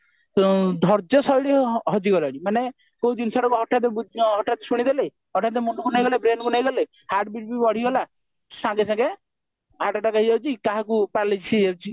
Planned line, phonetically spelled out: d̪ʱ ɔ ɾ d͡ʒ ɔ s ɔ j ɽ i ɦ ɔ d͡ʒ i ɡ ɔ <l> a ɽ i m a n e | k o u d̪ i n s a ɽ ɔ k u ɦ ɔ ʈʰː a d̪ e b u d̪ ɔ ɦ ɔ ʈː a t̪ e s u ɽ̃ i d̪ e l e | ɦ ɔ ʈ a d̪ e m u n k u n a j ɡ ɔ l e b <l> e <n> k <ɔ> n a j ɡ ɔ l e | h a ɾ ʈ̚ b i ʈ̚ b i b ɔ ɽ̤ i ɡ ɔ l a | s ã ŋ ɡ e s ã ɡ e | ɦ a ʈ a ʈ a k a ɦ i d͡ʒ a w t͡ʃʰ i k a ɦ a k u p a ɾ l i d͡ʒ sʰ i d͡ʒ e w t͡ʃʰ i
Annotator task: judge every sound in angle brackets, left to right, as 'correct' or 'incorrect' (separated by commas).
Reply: correct, incorrect, correct, incorrect